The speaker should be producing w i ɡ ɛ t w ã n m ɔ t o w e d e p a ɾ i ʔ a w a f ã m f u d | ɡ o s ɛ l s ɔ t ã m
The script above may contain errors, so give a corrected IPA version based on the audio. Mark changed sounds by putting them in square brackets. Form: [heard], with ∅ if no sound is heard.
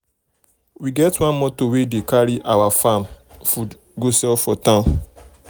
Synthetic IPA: w i ɡ ɛ t w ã n m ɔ t o w e d e [k] a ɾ i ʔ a w a f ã m f u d | ɡ o s ɛ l [f] ɔ t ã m